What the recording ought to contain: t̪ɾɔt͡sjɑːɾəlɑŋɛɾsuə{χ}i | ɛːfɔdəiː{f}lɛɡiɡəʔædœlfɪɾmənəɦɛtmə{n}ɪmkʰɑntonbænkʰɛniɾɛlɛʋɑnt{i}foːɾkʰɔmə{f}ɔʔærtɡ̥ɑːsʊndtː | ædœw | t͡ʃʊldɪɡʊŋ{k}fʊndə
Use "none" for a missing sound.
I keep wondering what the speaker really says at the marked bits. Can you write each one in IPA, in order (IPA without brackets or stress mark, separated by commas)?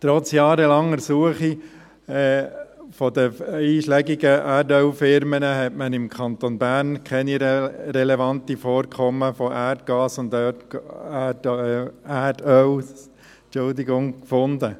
χ, ʃ, n, i, f, k